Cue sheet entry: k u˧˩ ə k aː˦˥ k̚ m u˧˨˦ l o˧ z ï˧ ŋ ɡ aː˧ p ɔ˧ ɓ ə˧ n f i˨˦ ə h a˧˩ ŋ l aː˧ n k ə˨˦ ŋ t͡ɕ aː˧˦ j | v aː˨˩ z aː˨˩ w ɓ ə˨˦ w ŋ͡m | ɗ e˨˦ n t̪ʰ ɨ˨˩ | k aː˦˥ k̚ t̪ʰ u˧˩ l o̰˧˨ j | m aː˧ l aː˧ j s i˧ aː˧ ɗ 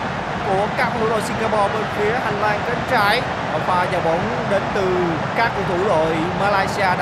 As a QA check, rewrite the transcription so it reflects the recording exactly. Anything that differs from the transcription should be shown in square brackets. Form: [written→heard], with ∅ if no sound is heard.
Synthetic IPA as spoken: k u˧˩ ə k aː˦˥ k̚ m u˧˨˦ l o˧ [z→s] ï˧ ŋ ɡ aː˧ p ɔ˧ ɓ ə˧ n f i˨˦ ə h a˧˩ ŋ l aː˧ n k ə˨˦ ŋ t͡ɕ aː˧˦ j | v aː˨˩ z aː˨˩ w ɓ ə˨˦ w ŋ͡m | ɗ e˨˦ n [t̪ʰ→t̪] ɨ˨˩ | k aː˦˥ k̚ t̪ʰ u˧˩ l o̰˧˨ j | m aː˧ l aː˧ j s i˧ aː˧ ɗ